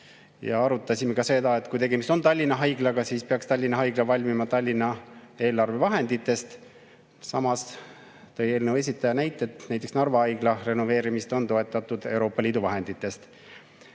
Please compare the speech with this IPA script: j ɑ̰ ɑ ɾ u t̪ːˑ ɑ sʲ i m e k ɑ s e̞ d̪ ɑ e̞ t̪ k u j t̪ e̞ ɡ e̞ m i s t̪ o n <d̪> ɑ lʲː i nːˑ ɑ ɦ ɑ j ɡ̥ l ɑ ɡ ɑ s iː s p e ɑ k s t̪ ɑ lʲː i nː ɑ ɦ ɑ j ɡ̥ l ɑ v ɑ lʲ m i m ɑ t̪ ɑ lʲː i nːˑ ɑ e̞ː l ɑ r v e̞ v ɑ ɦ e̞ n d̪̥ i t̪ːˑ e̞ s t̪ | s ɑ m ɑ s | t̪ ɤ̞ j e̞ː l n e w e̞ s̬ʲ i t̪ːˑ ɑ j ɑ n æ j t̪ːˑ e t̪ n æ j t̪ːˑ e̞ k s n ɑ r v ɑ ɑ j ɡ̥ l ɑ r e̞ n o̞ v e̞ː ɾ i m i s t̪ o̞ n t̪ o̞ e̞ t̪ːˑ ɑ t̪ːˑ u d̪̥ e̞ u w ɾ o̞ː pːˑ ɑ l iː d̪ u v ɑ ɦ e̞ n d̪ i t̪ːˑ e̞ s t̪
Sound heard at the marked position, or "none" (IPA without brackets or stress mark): t̪